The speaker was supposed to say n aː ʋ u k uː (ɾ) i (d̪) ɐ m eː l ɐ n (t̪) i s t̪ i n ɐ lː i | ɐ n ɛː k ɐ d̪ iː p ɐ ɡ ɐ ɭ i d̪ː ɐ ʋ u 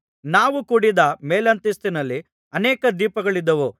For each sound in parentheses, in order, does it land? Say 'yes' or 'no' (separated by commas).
no, yes, yes